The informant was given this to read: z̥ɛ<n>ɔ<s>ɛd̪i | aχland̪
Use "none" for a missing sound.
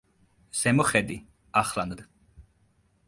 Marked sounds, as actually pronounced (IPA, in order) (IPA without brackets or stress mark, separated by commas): m, χ